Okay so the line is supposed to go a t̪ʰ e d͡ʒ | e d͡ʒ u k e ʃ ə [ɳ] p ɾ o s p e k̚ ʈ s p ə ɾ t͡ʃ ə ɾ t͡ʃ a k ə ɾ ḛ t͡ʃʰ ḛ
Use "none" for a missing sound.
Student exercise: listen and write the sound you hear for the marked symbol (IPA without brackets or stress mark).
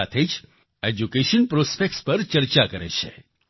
n